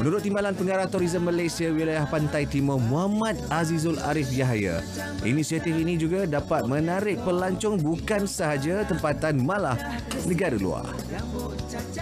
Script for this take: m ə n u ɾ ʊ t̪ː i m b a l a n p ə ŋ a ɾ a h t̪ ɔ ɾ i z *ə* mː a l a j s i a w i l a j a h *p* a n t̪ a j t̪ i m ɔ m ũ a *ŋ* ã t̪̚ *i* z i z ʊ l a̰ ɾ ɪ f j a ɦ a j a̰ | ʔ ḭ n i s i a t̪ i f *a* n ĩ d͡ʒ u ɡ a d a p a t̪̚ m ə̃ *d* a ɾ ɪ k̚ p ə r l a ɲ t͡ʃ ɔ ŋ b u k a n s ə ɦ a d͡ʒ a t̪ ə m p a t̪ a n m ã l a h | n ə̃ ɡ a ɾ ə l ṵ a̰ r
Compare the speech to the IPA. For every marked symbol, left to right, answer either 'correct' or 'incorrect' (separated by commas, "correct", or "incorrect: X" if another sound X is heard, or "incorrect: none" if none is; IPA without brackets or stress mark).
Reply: correct, correct, incorrect: m, incorrect: a, incorrect: i, incorrect: n